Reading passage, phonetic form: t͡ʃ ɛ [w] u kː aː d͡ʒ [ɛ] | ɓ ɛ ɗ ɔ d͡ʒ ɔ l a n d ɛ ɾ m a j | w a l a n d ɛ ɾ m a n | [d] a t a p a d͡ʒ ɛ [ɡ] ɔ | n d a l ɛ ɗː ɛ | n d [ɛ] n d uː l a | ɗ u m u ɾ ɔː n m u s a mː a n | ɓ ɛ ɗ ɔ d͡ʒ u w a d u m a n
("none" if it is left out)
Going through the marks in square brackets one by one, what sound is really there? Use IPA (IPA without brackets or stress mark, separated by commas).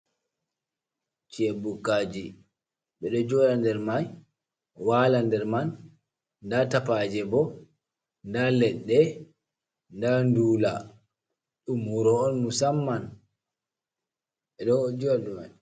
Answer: b, i, d, b, a